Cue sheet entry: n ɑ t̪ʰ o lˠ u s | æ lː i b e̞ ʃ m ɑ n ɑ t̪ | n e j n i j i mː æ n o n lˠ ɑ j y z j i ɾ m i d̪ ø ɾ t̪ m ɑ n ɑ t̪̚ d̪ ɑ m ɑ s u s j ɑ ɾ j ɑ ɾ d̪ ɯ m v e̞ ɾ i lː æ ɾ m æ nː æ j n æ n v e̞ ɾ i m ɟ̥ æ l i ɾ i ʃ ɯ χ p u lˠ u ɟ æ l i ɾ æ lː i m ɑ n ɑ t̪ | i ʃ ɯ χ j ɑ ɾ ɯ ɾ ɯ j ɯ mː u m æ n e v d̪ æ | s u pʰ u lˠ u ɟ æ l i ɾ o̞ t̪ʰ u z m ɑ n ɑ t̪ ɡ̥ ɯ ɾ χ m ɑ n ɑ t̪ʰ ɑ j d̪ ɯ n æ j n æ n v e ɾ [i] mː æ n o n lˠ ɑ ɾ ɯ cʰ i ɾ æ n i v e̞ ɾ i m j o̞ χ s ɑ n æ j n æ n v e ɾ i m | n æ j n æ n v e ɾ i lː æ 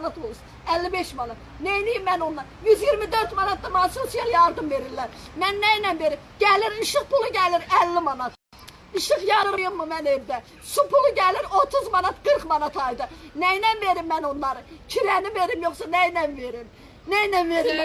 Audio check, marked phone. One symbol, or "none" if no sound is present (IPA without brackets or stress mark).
i